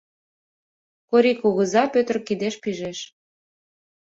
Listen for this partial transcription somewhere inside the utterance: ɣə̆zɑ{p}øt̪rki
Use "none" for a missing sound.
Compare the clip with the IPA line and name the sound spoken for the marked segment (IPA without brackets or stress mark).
p